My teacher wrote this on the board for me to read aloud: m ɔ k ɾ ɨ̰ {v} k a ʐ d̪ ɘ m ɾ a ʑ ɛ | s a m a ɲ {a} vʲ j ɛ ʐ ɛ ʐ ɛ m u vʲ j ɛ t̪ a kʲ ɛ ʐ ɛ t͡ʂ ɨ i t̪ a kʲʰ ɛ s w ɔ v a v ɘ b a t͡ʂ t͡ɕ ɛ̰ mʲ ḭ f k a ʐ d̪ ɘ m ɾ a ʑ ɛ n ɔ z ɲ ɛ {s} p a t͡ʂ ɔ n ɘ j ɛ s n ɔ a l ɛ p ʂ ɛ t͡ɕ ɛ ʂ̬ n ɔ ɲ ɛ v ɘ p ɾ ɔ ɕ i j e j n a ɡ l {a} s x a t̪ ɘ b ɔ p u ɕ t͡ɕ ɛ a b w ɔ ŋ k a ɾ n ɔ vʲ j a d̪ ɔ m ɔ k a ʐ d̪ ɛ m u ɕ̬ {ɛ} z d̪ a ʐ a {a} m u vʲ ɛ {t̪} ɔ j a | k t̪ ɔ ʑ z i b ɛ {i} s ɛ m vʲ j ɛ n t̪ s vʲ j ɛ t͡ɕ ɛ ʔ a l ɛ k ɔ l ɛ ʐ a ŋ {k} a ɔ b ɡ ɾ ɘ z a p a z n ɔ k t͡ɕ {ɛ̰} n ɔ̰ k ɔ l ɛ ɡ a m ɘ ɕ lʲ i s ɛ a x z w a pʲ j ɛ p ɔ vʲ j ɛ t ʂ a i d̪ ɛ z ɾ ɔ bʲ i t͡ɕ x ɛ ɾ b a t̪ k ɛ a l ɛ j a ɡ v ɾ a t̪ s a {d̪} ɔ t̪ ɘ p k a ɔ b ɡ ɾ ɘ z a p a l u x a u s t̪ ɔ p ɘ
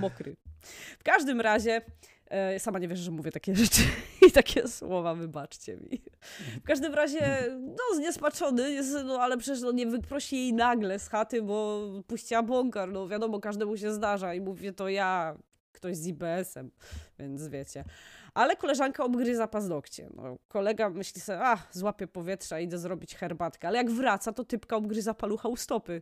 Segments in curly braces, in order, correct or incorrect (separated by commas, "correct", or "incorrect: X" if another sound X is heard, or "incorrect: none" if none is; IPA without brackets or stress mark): incorrect: f, incorrect: ɛ, correct, incorrect: ɛ, correct, incorrect: i, correct, incorrect: ɛ, correct, correct, incorrect: t̪